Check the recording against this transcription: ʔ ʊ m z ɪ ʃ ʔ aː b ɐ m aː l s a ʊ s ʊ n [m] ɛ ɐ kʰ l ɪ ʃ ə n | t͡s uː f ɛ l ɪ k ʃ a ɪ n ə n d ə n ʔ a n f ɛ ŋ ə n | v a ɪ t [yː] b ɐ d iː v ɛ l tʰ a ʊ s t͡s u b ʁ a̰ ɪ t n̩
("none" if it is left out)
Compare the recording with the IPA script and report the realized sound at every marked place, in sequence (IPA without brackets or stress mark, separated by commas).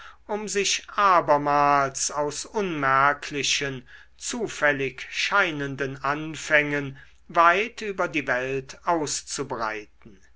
m, yː